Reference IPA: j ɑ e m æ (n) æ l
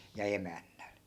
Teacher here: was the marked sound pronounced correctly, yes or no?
no